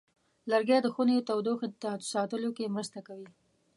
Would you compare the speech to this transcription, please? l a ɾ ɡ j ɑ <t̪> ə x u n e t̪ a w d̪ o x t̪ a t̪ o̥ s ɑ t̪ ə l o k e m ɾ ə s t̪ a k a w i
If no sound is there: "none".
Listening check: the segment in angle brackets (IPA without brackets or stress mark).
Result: d̪